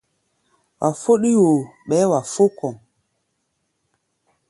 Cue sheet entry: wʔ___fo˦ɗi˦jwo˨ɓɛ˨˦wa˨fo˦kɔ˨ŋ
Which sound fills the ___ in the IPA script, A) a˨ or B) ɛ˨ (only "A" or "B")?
A